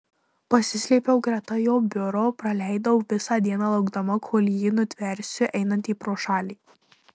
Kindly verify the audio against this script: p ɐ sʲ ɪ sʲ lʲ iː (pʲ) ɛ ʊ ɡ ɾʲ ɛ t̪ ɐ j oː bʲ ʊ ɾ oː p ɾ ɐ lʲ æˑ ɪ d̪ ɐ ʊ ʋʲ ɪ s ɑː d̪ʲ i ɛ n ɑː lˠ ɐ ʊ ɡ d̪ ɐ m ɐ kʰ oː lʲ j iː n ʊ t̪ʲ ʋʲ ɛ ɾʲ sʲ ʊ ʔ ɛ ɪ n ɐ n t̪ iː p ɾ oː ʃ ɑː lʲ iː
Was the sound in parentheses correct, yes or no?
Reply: yes